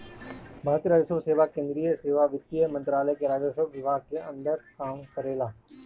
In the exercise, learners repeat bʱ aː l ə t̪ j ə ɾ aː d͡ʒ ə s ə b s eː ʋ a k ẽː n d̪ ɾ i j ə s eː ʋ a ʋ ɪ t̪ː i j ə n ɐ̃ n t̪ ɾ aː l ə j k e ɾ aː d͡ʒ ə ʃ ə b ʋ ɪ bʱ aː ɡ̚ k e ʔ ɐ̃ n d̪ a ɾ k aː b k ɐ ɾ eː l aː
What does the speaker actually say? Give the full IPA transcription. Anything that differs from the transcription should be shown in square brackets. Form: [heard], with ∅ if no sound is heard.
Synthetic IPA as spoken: bʱ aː [ɾ] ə t̪ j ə ɾ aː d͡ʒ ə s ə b s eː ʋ a k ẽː n d̪ ɾ i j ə s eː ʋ a ʋ ɪ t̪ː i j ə [m] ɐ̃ n t̪ ɾ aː l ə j k e ɾ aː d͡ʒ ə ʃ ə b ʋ ɪ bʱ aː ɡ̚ k e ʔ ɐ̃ n d̪ [ə] ɾ k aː [m] k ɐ ɾ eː l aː